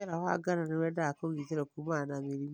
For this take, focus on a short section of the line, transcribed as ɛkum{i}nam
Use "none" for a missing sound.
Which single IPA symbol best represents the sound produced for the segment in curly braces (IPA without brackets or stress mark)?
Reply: a